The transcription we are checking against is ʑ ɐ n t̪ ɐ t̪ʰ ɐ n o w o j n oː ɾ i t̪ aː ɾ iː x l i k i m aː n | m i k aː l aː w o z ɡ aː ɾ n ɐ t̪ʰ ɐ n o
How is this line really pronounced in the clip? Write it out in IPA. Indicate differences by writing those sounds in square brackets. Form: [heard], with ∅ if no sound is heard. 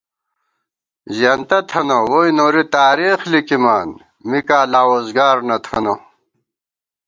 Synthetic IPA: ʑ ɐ n t̪ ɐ t̪ʰ ɐ n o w o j n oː ɾ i t̪ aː ɾ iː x l i k i m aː n | m i k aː l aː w o z ɡ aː ɾ n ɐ t̪ʰ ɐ n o